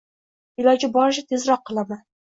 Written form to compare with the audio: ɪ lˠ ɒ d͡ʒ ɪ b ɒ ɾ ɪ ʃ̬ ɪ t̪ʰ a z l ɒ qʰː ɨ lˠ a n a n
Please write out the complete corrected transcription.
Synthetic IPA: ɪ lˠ ɒ d͡ʒ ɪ b ɒ ɾ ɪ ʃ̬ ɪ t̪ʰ e z ɾ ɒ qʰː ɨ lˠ a m a n